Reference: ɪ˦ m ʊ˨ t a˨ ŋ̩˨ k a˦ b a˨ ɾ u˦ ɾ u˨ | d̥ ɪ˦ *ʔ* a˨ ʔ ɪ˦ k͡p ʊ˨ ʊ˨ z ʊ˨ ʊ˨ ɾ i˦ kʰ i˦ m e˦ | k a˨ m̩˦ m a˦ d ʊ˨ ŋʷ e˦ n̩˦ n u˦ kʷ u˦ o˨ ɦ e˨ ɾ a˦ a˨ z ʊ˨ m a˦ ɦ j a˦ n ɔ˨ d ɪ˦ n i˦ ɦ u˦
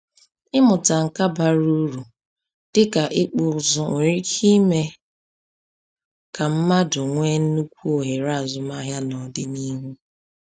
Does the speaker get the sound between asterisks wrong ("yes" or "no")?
yes